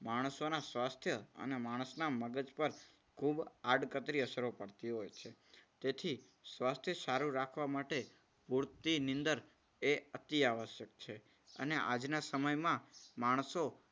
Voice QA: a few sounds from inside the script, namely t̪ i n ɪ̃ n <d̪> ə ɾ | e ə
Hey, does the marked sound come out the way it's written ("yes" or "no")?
yes